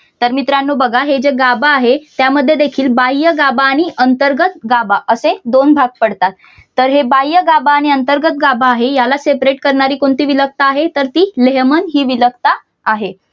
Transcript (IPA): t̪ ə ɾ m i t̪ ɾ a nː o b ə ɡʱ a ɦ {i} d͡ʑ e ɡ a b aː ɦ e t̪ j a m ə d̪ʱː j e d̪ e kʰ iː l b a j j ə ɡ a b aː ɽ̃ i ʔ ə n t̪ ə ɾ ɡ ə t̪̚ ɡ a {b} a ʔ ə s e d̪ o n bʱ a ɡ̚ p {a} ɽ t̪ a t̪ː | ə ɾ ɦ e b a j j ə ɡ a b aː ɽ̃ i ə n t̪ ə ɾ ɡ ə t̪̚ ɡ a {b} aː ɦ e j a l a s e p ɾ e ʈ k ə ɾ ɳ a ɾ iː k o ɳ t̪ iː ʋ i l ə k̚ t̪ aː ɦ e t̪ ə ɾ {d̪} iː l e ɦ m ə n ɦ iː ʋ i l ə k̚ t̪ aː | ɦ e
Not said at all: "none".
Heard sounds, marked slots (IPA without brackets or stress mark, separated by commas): e, b, ə, b, t̪